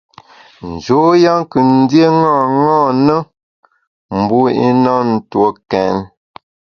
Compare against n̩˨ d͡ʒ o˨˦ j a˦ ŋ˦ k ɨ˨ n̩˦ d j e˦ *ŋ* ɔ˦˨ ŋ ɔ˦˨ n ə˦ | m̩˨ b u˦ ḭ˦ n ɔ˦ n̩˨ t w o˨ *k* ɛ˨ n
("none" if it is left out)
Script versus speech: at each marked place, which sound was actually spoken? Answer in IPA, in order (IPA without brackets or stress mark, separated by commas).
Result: ŋ, k